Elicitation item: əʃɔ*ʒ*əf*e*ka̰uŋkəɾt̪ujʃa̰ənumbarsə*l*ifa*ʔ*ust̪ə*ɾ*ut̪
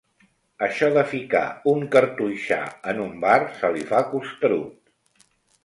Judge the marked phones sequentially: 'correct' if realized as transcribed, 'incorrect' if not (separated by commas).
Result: incorrect, incorrect, correct, incorrect, correct